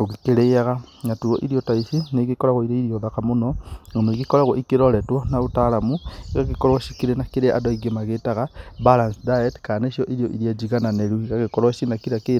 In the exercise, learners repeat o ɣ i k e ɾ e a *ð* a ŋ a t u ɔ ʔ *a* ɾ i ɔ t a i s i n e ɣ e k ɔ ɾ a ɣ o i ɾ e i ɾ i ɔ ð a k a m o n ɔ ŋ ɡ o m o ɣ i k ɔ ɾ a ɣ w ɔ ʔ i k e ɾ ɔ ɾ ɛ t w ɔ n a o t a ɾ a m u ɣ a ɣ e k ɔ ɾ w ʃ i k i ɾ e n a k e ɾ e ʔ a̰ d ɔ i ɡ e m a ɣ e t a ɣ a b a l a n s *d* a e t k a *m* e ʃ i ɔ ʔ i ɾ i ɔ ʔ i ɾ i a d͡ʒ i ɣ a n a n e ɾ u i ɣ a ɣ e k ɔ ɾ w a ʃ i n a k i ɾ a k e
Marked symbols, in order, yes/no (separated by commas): no, no, yes, no